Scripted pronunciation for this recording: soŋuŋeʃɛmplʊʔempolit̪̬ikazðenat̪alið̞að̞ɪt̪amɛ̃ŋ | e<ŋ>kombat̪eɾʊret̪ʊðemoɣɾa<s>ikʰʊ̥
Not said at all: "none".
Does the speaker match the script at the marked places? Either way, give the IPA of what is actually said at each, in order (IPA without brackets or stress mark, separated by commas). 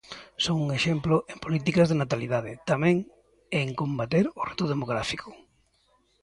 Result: ŋ, f